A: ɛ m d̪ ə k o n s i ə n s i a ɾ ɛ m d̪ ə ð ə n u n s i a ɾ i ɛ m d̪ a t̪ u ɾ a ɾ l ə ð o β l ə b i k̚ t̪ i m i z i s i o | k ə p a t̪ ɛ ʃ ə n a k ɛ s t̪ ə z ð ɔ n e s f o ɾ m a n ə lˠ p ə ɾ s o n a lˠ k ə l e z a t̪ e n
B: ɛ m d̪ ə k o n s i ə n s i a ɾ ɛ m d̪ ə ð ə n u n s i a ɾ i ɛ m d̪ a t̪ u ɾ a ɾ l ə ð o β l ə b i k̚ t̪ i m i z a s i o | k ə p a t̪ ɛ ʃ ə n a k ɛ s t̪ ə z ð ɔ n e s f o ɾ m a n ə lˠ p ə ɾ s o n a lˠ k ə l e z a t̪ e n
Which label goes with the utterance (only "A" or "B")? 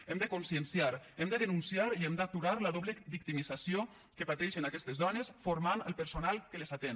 B